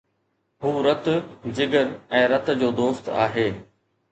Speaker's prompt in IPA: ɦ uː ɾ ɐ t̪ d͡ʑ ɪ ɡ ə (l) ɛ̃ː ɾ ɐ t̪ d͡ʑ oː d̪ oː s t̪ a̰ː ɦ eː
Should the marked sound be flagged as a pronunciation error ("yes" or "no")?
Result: yes